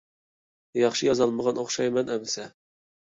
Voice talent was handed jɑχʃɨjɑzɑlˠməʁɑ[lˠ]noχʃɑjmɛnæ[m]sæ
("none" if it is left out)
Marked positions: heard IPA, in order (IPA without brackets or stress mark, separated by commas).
none, m